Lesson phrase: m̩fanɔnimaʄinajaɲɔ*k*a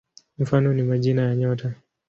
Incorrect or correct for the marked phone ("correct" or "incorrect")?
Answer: incorrect